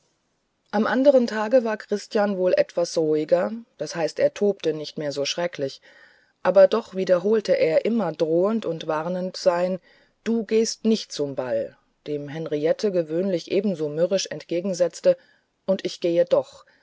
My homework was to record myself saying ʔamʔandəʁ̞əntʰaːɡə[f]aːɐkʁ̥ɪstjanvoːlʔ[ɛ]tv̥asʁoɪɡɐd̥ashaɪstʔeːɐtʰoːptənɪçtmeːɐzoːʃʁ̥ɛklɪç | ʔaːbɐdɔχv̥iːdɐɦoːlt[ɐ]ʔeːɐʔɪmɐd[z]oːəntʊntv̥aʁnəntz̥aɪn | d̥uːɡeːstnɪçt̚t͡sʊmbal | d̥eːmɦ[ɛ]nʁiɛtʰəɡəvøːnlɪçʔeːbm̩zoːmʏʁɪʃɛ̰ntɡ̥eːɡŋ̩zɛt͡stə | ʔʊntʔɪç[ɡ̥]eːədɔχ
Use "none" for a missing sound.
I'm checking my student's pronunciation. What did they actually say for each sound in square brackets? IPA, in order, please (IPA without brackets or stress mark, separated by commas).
v, ɛ, ə, ʁ, ɛ, ɡ̥